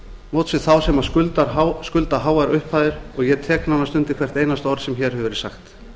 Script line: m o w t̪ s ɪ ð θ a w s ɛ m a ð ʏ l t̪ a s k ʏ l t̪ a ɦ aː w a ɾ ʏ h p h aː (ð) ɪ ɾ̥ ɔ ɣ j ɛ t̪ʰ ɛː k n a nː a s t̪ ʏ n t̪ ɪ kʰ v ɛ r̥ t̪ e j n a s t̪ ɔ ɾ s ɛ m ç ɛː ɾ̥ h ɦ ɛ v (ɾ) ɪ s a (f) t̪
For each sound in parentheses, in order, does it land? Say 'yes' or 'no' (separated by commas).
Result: yes, yes, no